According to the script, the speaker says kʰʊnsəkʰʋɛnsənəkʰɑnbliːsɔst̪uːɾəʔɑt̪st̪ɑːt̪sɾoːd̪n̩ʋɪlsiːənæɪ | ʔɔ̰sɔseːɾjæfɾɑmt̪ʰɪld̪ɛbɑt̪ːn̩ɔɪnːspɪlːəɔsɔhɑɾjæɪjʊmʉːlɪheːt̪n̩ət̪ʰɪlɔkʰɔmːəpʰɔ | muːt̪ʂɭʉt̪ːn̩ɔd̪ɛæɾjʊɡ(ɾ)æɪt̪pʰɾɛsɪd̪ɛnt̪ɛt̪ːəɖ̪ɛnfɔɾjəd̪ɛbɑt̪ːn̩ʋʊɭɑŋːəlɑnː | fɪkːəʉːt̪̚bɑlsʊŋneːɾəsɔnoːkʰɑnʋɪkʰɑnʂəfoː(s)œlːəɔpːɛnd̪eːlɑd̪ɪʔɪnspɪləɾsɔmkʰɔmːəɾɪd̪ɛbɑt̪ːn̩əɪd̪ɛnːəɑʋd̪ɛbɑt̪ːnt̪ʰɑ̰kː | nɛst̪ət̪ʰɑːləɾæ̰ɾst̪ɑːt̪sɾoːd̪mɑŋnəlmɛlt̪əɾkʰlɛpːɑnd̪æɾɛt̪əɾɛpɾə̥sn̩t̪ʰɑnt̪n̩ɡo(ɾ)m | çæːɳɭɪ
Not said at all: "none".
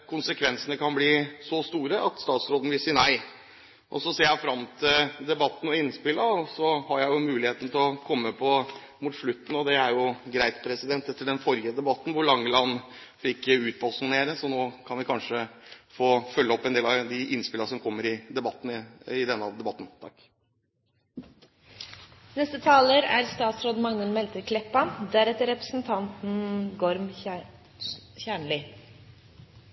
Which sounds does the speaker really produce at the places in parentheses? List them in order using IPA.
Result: ɾ, f, ɾ

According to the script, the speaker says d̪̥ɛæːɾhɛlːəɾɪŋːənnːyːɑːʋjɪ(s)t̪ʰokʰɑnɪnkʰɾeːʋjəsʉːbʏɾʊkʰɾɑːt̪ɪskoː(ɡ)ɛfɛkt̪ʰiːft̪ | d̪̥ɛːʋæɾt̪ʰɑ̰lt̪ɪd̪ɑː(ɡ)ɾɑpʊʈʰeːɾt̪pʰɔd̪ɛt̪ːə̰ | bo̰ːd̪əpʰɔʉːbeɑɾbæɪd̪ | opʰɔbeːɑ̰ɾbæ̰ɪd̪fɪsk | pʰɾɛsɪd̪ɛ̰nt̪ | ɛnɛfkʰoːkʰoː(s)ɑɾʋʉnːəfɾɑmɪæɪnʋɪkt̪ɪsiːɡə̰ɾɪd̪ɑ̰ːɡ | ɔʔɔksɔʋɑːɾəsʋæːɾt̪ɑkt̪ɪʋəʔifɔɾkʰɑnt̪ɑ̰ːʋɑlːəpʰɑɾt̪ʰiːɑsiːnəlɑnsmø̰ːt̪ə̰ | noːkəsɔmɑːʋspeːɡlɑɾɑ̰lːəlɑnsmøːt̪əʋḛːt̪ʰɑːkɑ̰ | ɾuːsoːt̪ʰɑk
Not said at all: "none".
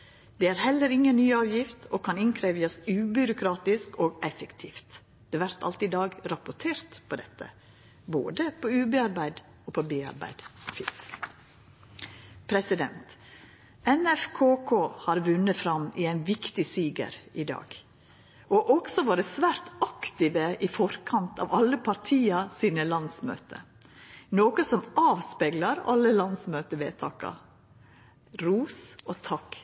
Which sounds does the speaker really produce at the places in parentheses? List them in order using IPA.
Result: f, ɡ, ɡ, h

